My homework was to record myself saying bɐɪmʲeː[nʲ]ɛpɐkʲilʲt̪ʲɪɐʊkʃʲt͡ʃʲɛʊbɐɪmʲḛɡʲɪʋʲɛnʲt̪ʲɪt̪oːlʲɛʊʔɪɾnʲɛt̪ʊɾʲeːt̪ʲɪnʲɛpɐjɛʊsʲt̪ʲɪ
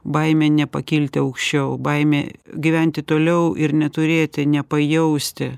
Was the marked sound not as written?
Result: no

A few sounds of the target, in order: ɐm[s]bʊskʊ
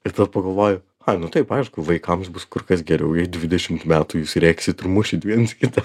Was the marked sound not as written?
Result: no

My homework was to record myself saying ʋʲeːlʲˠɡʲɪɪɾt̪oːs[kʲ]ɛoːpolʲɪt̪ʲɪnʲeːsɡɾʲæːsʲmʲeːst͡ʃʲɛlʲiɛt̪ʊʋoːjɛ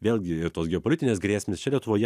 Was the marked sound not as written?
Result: yes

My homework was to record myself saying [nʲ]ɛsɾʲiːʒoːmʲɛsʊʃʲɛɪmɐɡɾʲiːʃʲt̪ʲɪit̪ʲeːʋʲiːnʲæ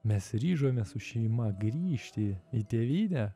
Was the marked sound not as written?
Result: yes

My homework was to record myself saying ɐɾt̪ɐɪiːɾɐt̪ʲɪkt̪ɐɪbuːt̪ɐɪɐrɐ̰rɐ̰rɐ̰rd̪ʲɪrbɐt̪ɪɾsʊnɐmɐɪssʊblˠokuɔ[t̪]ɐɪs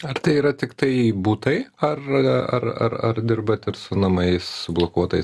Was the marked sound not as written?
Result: no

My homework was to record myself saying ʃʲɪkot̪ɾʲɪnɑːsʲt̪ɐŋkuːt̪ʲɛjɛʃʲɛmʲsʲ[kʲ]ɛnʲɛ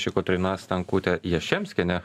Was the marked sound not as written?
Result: no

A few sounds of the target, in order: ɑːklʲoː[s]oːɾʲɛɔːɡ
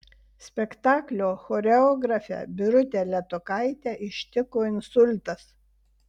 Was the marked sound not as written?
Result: yes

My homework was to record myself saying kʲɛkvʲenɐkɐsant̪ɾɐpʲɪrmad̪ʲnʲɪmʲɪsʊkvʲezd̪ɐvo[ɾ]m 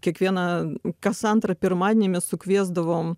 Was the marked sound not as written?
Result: yes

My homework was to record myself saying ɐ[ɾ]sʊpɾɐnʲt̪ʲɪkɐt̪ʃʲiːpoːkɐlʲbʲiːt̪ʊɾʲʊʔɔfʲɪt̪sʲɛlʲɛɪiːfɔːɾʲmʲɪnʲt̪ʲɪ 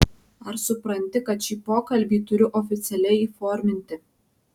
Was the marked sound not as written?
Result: no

